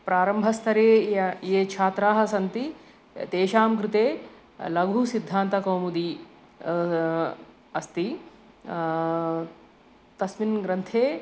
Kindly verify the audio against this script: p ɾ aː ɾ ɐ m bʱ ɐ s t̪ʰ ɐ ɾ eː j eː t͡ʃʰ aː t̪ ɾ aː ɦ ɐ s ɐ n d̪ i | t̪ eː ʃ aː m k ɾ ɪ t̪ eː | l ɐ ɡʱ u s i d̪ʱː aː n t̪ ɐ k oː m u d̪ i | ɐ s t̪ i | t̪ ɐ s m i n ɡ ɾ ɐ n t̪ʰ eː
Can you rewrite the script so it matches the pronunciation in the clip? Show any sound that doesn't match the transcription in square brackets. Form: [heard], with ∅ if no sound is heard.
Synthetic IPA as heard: p ɾ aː ɾ ɐ m bʱ ɐ s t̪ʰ ɐ ɾ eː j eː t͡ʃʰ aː t̪ ɾ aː ɦ ɐ s ɐ n [t̪] i | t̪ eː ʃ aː m k ɾ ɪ t̪ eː | l ɐ ɡʱ u s i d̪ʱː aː n t̪ ɐ k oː m u d̪ i | ɐ s t̪ i | t̪ ɐ s m i n ɡ ɾ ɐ n t̪ʰ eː